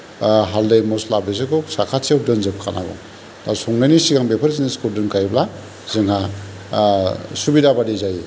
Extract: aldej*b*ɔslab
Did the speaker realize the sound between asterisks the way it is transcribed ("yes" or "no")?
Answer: no